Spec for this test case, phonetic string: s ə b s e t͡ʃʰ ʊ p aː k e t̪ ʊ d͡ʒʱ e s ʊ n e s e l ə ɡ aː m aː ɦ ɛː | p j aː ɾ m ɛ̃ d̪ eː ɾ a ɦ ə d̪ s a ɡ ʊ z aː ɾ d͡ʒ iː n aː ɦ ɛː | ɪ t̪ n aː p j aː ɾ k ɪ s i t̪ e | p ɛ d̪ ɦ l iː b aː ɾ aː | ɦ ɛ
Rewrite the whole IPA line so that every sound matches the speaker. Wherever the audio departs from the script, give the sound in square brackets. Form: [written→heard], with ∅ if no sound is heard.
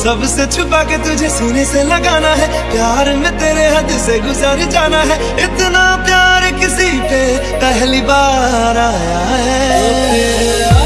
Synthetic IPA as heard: s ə b s e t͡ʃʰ ʊ p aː k e t̪ ʊ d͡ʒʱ e s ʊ n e s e l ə ɡ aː [m→n] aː ɦ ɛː | p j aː ɾ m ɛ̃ [d̪→t̪] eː ɾ [a→e] ɦ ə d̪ s [a→e] ɡ ʊ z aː ɾ d͡ʒ [iː→aː] n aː ɦ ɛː | ɪ t̪ n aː p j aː ɾ k ɪ s i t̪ e | p ɛ [d̪→∅] ɦ l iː b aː ɾ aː | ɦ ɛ